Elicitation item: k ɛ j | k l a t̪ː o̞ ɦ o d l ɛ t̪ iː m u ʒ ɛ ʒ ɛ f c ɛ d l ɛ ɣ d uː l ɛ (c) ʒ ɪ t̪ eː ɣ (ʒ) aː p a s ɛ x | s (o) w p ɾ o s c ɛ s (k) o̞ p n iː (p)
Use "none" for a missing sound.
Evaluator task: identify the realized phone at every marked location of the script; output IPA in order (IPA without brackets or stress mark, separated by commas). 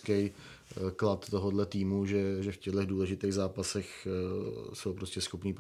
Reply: none, z, o, x, p